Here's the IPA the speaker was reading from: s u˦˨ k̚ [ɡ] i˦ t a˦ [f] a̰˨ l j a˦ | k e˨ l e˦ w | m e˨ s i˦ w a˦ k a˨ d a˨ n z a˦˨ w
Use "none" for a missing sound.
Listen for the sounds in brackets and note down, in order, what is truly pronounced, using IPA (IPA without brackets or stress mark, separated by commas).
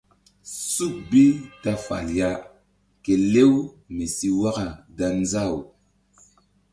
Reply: b, f